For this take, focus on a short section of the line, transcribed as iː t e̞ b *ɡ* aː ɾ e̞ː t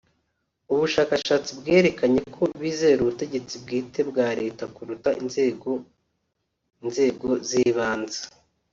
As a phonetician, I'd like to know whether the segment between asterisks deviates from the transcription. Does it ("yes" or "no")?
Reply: no